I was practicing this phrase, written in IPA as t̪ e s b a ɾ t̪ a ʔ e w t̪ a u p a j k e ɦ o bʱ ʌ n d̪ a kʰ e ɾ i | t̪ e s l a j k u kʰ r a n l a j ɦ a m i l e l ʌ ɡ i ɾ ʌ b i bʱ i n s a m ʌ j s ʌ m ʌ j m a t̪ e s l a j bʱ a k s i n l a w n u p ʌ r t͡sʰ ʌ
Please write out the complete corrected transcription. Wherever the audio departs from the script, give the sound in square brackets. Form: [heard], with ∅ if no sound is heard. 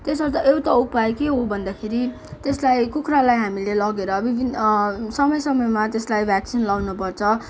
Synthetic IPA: t̪ e s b [ʌ] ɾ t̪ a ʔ e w t̪ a u p a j k e ɦ o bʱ ʌ n d̪ a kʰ e ɾ i | t̪ e s l a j k u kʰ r a [∅] l a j ɦ a m i l e l ʌ ɡ [e] ɾ ʌ b i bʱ i n s [ʌ] m ʌ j s ʌ m ʌ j m a t̪ e s l a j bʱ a k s i n l a w n u p ʌ r t͡sʰ ʌ